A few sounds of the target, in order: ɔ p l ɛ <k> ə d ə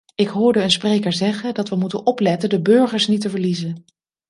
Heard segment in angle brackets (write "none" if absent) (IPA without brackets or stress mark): t